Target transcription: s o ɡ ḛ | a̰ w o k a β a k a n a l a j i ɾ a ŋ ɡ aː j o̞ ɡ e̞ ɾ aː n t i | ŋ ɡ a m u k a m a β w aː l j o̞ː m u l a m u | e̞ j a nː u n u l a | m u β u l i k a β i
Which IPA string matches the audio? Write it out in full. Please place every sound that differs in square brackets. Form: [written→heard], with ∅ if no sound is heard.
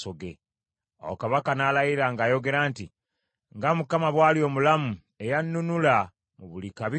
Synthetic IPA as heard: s o ɡ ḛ | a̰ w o k a β a k a n a l a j i ɾ a ŋ ɡ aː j o̞ ɡ e̞ ɾ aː n t i | ŋ ɡ a m u k a m a β w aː l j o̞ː m u l a m u | e̞ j a nː u n u l a | m u β u l i k a β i